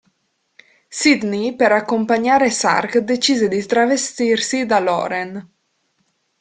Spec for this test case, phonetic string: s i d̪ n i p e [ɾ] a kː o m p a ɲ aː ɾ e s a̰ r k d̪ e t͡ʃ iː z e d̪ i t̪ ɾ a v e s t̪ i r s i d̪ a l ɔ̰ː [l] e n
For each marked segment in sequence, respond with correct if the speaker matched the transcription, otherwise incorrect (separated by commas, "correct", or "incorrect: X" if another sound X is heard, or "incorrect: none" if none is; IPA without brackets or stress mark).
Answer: correct, incorrect: ɾ